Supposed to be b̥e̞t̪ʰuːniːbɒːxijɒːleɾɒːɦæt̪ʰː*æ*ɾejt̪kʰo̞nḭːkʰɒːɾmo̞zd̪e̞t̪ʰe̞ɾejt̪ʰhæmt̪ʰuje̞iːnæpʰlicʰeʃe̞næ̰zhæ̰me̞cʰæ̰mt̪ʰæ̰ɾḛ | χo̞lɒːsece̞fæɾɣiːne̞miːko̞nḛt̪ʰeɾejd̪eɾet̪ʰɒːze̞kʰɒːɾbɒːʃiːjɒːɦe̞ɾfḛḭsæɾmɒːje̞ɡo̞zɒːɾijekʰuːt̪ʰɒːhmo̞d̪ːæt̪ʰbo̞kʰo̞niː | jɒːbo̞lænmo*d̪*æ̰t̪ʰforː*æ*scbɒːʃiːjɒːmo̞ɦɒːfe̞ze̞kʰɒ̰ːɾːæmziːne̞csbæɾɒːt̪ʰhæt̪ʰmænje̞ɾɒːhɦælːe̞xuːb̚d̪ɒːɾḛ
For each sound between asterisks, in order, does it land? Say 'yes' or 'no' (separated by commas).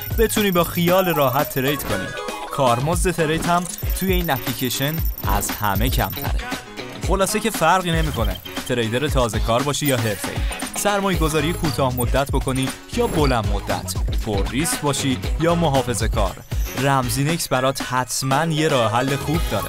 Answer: no, no, no